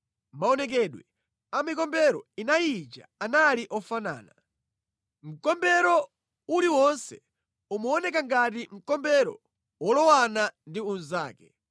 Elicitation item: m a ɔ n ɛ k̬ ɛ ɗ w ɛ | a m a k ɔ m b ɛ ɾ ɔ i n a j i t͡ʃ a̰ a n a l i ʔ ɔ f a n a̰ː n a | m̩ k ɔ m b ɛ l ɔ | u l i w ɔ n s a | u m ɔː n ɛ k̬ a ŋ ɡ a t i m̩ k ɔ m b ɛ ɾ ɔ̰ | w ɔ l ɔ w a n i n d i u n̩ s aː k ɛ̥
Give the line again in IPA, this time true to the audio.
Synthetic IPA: m a ɔ n ɛ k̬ ɛ ɗ w ɛ | a m i k ɔ m b ɛ ɾ ɔ i n a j i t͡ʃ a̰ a n a l i ʔ ɔ f a n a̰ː n a | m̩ k ɔ m b ɛ ɾ ɔ | u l i w ɔ n s ɛ | u m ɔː n ɛ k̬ a ŋ ɡ a t i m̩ k ɔ m b ɛ ɾ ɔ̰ | w ɔ l ɔ w a n a n d i u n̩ z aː k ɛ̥